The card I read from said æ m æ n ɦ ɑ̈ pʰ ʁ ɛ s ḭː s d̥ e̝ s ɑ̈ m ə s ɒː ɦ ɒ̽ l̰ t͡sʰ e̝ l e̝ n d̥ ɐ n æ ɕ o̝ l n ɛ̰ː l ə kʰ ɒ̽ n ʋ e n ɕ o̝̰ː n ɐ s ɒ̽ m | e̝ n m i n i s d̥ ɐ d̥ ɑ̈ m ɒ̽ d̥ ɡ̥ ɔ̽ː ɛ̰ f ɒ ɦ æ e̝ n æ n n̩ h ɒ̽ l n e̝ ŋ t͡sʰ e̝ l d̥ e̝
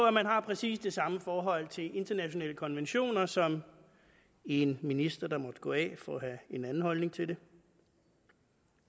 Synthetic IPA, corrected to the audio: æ m æ n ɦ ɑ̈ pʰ ʁ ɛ s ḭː s d̥ e̝ s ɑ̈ m ə f ɒː ɦ ɒ̽ l̰ t͡sʰ e̝ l e̝ n d̥ ɐ n æ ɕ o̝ n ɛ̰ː l ə kʰ ɒ̽ n ʋ e n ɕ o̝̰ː n ɐ s ɒ̽ m | e̝ n m i n i s d̥ ɐ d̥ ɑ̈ m ɒ̽ d̥ ɡ̥ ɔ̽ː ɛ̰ f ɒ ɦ æ e̝ n æ n n̩ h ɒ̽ l n e̝ ŋ t͡sʰ e̝ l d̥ e̝